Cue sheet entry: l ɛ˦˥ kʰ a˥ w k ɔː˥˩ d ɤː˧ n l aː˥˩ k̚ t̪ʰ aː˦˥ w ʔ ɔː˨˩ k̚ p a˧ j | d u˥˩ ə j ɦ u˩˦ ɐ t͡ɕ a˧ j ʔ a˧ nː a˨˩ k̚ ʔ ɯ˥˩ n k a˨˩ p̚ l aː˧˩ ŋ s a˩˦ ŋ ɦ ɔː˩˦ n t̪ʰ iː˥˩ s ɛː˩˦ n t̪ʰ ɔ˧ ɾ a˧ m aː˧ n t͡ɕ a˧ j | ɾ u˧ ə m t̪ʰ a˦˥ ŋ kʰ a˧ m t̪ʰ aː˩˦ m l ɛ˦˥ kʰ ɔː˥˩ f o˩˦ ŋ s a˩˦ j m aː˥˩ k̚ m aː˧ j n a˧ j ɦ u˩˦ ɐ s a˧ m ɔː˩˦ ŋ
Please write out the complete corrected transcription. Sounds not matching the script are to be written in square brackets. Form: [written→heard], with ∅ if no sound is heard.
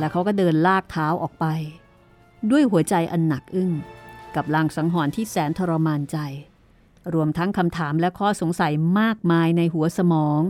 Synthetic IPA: l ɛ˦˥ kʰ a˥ w k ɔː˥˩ d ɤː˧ n l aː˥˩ k̚ t̪ʰ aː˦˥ w ʔ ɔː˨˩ k̚ p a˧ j | d u˥˩ ə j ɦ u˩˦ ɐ t͡ɕ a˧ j ʔ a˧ nː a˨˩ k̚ ʔ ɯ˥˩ [n→ŋ] k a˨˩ p̚ l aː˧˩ ŋ s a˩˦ ŋ ɦ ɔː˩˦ n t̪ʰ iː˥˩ s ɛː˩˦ n t̪ʰ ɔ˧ ɾ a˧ m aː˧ n t͡ɕ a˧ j | ɾ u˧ ə m t̪ʰ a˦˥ ŋ kʰ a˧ m t̪ʰ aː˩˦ m l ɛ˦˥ kʰ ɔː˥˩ [f→s] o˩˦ ŋ s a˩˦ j m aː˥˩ k̚ m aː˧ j n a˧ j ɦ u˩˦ ɐ s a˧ m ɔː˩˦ ŋ